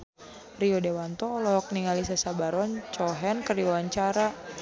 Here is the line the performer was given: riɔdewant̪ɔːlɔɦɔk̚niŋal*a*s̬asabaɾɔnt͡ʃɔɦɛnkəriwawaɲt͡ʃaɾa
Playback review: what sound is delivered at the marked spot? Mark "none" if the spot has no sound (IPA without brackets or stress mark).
i